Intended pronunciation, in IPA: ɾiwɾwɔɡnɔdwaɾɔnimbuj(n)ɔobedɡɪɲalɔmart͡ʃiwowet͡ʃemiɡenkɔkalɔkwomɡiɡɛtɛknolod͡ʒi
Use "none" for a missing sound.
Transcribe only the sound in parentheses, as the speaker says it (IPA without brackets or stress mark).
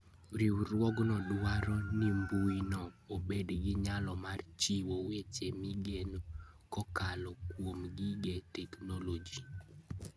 n